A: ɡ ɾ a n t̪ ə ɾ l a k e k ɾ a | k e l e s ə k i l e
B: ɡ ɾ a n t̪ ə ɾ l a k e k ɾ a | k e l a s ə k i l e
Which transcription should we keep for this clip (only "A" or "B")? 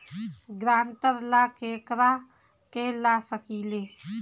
B